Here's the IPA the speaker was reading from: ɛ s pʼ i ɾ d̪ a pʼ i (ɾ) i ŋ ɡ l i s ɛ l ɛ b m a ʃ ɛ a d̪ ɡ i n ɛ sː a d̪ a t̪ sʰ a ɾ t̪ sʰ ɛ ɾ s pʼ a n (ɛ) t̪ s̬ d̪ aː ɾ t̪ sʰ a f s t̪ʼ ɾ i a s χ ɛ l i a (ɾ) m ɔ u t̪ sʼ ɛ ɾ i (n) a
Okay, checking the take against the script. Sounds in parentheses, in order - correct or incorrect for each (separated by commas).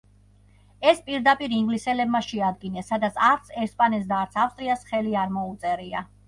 correct, correct, correct, incorrect